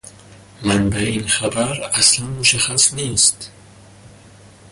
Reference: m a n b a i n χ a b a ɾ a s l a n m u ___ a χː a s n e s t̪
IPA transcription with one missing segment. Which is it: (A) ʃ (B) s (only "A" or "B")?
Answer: A